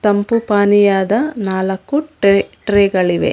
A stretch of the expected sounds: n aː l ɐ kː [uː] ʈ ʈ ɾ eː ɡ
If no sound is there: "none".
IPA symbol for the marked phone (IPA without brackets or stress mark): u